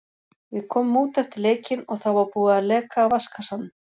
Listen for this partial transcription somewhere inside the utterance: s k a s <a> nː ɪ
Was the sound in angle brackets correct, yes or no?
yes